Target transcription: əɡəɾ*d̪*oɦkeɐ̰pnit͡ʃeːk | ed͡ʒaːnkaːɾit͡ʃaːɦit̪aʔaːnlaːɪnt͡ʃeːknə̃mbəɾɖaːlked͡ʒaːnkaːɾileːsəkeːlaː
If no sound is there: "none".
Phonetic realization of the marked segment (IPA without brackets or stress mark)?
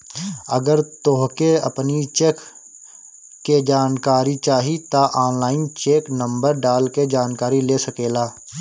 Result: t̪